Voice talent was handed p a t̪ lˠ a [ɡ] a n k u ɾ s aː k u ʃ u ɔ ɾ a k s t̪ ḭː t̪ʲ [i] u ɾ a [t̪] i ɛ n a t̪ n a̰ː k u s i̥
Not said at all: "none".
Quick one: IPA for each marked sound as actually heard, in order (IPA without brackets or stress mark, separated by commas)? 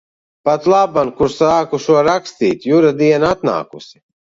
b, j, d̪